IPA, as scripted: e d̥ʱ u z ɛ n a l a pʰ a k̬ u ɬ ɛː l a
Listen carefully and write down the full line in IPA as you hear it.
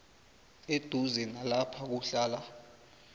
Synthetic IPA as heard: e d̥ʱ u z ɛ n a l a pʰ a k̬ u ɬ aː l a